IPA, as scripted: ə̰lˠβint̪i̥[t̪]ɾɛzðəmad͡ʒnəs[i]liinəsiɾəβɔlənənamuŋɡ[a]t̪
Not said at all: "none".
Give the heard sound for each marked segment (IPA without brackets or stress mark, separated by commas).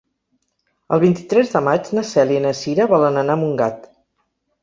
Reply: t̪, ɛ, a